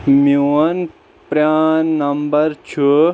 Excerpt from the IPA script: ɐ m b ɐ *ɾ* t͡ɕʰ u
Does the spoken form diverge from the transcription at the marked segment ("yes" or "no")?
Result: no